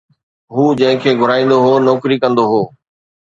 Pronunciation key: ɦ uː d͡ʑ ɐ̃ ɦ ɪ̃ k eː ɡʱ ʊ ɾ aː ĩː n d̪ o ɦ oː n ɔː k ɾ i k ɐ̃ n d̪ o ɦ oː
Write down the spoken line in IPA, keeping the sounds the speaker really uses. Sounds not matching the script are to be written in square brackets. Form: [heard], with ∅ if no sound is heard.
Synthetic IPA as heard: ɦ uː d͡ʑ ɐ̃ ɦ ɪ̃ [kʰ] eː ɡʱ ʊ ɾ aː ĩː n d̪ o ɦ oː n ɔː k ɾ i k ɐ̃ n d̪ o ɦ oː